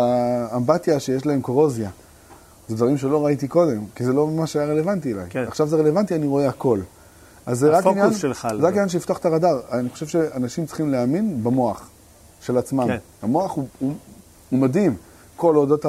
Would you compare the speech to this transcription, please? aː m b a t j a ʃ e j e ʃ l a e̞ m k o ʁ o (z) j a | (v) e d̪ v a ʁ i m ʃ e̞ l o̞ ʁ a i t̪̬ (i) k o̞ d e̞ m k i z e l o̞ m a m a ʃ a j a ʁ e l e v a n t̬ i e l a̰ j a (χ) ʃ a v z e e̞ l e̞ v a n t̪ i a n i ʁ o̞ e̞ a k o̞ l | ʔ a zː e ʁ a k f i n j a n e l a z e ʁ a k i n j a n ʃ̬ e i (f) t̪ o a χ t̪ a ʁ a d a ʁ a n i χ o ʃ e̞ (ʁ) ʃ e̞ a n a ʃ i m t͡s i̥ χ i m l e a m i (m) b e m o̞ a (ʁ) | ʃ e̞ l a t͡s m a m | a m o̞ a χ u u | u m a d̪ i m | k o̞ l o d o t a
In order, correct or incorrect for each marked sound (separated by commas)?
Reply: correct, incorrect, correct, correct, correct, incorrect, incorrect, incorrect